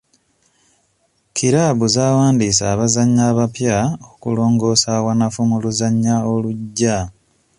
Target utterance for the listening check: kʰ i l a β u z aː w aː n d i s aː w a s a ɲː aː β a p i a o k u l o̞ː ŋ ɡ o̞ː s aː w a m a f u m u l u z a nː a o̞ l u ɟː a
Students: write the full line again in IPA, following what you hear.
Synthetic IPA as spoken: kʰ i ɾ a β u z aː w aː n d i s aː β a z a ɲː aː β a p j a o k u l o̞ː ŋ ɡ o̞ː s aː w a n a f u m u l u z a ɲː a o̞ l u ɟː a